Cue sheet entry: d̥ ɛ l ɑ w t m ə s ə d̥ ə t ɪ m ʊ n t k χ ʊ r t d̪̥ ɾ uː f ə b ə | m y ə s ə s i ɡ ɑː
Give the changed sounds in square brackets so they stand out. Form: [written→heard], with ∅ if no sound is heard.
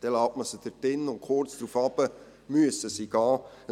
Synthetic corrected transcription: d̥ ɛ l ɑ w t m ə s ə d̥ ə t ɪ [m→n] ʊ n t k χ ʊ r [t→t͡s] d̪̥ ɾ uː f [ə→ɑ] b ə | m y ə s ə s i ɡ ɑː